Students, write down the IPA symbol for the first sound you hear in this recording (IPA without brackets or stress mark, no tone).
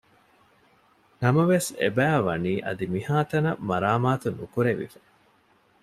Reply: n